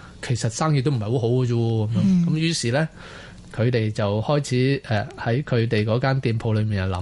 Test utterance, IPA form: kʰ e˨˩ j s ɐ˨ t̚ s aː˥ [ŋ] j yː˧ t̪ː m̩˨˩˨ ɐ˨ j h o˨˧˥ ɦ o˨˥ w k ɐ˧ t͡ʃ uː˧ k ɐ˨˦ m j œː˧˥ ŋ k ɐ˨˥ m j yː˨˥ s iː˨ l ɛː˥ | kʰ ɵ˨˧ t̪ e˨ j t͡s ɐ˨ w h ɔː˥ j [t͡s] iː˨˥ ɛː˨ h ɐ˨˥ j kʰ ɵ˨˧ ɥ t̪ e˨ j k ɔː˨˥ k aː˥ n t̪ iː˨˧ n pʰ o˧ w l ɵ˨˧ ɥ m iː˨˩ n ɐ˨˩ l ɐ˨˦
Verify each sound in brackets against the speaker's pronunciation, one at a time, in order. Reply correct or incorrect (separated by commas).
correct, incorrect